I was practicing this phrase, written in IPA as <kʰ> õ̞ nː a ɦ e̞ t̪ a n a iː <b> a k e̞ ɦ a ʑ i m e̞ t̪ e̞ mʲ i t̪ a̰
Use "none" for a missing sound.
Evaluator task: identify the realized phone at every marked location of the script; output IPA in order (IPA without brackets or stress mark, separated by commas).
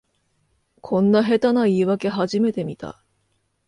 kʰ, β